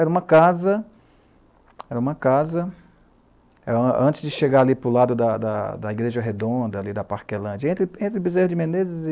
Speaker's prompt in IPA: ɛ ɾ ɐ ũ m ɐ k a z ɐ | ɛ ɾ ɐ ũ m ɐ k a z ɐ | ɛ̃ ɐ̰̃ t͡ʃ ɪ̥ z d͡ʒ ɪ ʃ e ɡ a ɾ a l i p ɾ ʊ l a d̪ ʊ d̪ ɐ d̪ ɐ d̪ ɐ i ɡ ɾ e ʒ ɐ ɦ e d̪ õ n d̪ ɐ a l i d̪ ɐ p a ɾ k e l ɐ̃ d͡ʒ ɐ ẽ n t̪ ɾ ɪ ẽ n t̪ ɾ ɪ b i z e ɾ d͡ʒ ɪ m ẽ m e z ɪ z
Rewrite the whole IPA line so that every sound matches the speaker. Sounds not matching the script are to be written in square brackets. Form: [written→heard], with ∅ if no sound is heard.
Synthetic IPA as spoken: ɛ ɾ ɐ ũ m ɐ k a z ɐ | ɛ ɾ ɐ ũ m ɐ k a z ɐ | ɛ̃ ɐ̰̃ t͡ʃ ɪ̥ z d͡ʒ ɪ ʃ e ɡ a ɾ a l i p ɾ ʊ l a d̪ ʊ d̪ ɐ d̪ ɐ d̪ ɐ i ɡ ɾ e ʒ ɐ ɦ e d̪ õ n d̪ ɐ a l i d̪ ɐ p a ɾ k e l ɐ̃ d͡ʒ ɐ ẽ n t̪ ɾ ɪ ẽ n t̪ ɾ ɪ b i z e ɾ d͡ʒ ɪ m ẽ [m→n] e z ɪ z

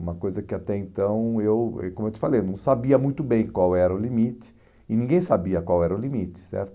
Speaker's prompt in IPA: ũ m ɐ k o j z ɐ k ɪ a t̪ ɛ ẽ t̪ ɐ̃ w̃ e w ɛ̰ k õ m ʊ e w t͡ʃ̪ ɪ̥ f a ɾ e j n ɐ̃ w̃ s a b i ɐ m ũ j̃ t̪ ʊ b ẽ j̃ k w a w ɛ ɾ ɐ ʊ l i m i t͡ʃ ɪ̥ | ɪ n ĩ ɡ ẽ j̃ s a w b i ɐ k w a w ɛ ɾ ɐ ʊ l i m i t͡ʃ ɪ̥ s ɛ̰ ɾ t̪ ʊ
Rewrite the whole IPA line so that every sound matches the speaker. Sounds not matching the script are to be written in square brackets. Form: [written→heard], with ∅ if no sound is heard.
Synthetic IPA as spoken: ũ m ɐ k o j z ɐ k ɪ a t̪ ɛ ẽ t̪ ɐ̃ w̃ e w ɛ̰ k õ m ʊ e w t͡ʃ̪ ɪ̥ f a [ɾ→l] e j n ɐ̃ w̃ s a b i ɐ m ũ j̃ t̪ ʊ b ẽ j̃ k w a w ɛ ɾ ɐ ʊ l i m i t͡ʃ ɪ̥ | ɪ n ĩ ɡ ẽ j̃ s a [w→∅] b i ɐ k w a w ɛ ɾ ɐ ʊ l i m i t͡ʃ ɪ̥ s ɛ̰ ɾ t̪ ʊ

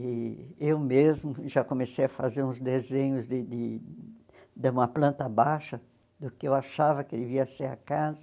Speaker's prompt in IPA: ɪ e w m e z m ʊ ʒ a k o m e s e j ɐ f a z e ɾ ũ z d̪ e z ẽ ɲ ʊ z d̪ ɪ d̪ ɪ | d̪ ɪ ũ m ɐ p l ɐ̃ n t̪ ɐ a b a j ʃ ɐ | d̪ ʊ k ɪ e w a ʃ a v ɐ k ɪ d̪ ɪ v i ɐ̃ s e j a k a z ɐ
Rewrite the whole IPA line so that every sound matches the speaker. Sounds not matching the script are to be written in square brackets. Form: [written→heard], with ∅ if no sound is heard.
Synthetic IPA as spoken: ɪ e w m e z m ʊ ʒ a k o m e s e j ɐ f a z e ɾ ũ z d̪ e z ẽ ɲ ʊ z d̪ ɪ d̪ ɪ | d̪ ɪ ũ m ɐ p l ɐ̃ n t̪ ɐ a b a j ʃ ɐ | d̪ ʊ k ɪ e w a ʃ a v ɐ k ɪ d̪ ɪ v i [ɐ̃→ɐ] s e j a k a z ɐ

